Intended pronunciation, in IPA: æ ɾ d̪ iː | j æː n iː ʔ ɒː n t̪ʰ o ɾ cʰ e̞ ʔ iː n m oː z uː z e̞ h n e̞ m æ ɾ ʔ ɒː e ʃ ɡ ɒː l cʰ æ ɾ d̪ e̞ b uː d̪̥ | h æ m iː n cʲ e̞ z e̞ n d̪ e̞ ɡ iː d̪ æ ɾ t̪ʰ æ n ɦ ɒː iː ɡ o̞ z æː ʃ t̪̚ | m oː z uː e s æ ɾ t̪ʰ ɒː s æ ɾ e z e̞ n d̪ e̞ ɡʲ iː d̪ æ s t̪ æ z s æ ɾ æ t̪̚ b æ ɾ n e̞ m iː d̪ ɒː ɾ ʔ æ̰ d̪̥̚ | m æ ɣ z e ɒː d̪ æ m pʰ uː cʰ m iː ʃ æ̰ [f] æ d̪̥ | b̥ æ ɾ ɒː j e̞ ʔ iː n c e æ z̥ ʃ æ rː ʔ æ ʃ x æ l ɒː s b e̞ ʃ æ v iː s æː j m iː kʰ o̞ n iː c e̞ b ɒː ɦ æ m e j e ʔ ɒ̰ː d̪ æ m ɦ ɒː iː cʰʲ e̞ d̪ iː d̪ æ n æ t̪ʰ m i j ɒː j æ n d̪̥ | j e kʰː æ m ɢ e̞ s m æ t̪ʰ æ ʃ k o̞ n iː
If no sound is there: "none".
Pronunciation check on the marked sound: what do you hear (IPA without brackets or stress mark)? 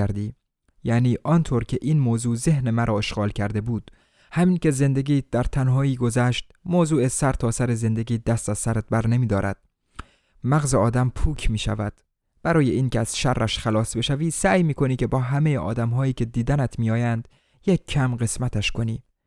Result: v